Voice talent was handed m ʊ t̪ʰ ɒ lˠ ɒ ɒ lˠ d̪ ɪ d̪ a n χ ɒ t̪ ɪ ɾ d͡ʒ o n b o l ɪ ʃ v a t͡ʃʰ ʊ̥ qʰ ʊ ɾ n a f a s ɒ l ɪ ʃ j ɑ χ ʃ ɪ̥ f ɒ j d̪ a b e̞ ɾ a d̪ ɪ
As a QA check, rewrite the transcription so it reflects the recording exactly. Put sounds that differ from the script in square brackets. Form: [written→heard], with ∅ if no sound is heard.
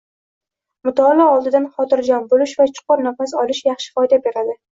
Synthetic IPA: m ʊ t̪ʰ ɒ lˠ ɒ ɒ lˠ d̪ ɪ d̪ a n χ ɒ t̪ ɪ ɾ d͡ʒ [o→ɒ] n b o l ɪ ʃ v a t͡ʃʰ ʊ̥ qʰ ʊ ɾ n a f a s ɒ l ɪ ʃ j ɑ χ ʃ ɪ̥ f ɒ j d̪ a b e̞ ɾ a d̪ ɪ